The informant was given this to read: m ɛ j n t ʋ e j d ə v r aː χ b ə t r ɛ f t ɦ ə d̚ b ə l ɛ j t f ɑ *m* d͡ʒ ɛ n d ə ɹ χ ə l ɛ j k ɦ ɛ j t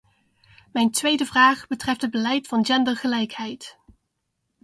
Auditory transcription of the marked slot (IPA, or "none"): n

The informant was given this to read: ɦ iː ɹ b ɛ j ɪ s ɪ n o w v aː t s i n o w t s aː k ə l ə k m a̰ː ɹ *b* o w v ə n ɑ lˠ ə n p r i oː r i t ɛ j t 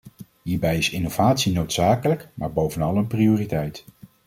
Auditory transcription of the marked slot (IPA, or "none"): b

